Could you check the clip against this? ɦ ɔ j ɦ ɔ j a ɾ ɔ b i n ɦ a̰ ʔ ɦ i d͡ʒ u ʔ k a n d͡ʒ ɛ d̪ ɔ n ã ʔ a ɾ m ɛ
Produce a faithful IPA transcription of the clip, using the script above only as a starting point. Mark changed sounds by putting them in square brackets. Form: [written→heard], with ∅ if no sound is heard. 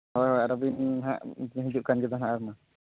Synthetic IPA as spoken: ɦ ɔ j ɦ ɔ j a ɾ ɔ b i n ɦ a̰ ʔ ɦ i d͡ʒ u ʔ k a n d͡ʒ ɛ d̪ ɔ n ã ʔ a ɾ m [ɛ→a]